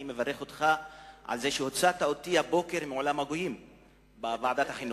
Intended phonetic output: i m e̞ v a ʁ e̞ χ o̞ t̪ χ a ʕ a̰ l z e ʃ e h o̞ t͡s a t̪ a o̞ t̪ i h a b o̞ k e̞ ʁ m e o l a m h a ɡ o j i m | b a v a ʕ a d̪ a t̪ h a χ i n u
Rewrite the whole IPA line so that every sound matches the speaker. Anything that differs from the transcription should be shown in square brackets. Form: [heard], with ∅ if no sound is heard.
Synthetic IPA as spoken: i m e̞ v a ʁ e̞ χ o̞ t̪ χ a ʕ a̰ l z e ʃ e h o̞ t͡s a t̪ a o̞ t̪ i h a b o̞ k e̞ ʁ m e o l a m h a ɡ o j i m | b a v a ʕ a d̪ a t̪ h a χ i n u